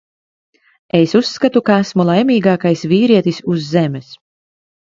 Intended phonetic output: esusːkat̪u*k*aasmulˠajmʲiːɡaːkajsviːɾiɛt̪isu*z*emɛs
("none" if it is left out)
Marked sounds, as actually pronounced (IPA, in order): k, zː

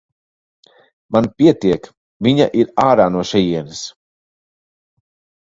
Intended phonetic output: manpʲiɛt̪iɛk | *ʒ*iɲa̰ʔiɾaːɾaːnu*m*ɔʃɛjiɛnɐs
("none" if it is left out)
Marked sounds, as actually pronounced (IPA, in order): v, none

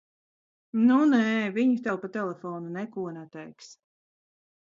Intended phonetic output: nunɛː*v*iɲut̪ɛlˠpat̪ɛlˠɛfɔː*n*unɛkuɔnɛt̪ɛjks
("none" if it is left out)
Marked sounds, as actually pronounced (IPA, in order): v, n

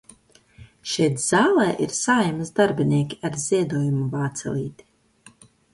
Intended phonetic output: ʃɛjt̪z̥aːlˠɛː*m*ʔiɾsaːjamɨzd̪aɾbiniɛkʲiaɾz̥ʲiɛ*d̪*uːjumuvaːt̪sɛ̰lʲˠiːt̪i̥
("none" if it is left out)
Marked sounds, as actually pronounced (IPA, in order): none, d̪

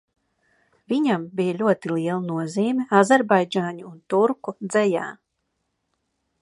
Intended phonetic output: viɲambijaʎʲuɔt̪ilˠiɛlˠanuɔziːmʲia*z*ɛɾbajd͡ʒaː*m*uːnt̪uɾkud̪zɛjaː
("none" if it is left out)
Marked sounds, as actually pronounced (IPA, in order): z, ɲ

